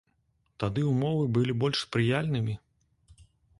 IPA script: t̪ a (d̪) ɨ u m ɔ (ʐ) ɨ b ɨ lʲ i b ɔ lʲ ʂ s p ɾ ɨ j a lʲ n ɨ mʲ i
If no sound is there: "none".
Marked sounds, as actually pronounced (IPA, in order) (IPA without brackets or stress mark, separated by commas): d̪, v